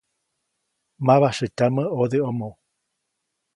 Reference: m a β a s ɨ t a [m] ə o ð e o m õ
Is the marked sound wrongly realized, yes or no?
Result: no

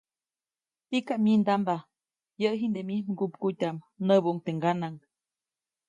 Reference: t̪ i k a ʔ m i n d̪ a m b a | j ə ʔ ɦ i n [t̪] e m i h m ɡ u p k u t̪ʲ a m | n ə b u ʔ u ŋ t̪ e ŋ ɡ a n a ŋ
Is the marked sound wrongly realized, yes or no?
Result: yes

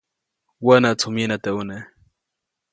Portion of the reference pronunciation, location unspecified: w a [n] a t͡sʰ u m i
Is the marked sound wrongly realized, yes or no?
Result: no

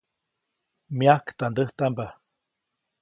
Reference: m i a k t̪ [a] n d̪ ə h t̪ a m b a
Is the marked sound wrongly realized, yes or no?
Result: no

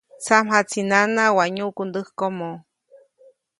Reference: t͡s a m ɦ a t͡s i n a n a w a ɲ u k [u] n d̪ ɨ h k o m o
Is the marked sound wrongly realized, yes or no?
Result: no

